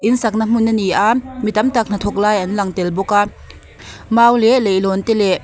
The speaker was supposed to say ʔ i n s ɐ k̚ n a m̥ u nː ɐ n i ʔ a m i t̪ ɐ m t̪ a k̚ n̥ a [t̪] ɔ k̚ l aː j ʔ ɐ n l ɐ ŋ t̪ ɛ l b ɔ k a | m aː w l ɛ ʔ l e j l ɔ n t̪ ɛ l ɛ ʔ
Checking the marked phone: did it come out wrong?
yes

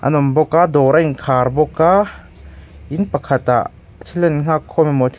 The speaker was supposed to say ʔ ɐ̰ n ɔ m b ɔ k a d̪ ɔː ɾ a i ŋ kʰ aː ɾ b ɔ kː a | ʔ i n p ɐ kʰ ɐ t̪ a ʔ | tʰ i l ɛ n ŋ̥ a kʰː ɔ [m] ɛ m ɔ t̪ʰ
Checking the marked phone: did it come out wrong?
no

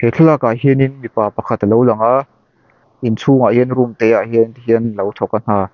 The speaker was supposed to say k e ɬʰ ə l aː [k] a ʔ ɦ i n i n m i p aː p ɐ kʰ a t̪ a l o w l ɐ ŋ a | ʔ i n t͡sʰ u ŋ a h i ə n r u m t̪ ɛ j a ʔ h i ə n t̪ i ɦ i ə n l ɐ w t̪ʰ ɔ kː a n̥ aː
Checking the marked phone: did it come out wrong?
no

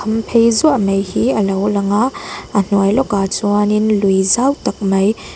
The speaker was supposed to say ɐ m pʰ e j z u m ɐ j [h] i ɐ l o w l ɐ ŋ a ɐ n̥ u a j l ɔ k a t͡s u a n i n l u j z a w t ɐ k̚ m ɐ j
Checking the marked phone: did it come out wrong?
no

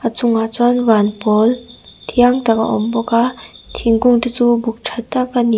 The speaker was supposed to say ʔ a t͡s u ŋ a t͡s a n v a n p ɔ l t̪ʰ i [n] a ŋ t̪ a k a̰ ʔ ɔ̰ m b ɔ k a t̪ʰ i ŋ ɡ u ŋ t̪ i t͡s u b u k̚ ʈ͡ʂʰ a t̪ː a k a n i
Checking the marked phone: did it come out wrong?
yes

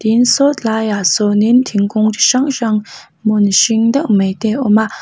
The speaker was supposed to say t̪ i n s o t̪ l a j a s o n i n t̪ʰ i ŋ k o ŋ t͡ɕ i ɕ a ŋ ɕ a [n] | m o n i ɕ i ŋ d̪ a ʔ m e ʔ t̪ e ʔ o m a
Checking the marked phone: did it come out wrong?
yes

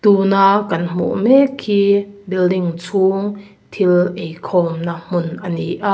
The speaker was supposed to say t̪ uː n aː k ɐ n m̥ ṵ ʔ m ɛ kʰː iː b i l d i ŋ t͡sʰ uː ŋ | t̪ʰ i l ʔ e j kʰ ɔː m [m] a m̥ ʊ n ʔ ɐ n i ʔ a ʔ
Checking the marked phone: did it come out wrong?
yes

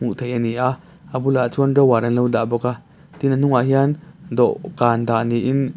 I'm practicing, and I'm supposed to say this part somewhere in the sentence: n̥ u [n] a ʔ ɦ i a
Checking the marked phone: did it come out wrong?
yes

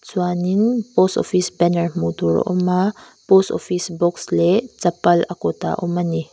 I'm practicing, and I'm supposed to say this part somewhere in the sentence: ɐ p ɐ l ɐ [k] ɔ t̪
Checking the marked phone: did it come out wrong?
no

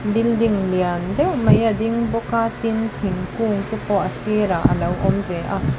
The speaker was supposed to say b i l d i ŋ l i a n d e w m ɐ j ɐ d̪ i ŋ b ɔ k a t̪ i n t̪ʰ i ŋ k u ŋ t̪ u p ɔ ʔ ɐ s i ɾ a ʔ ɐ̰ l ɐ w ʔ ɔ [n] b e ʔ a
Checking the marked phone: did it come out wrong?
yes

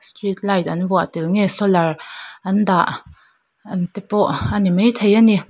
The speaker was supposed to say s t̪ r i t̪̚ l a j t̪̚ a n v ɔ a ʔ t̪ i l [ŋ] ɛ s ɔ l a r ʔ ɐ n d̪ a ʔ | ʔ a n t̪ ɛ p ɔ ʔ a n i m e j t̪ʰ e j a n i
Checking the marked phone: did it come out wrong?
no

